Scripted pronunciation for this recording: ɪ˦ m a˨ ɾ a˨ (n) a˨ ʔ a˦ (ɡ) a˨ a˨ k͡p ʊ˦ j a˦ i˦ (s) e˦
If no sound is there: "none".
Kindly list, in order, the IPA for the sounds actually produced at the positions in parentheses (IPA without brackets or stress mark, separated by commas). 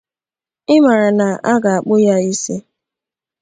n, ɡ, s